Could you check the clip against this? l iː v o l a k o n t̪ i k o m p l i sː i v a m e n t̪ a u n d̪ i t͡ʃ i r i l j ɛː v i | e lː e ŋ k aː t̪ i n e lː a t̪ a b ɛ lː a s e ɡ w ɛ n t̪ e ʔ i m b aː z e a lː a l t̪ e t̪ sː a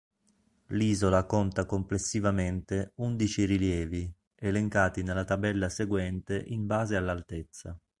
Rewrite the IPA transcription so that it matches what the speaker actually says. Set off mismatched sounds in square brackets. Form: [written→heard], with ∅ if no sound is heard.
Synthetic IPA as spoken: l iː [v→z] o l a k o n t̪ [i→a] k o m p l [i→e] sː i v a m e n t̪ [a→e] u n d̪ i t͡ʃ i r i l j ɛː v i | e [lː→l] e ŋ k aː t̪ i n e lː a t̪ a b ɛ lː a s e ɡ w ɛ n t̪ e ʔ i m b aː z e a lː a l t̪ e t̪ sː a

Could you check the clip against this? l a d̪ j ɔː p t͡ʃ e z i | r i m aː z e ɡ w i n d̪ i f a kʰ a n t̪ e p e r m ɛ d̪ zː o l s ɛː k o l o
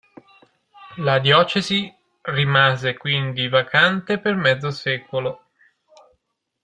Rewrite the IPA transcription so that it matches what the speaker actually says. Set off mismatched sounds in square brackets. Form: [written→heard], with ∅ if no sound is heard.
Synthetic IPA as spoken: l a d̪ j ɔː [p→∅] t͡ʃ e z i | r i m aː z e [ɡ→k] w i n d̪ i [f→v] a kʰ a n t̪ e p e r m ɛ d̪ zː o [l→∅] s ɛː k o l o

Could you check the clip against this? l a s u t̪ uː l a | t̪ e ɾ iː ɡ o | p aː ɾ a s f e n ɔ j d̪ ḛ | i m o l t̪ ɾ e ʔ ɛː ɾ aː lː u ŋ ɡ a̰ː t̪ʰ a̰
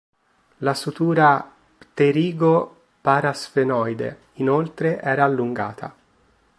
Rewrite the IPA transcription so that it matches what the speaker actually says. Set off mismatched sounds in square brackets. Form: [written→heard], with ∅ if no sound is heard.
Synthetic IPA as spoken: l a s u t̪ uː [l→ɾ] a | t̪ e ɾ iː ɡ o | p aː ɾ a s f e n ɔ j d̪ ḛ | i [m→n] o l t̪ ɾ e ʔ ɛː ɾ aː lː u ŋ ɡ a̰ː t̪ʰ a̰

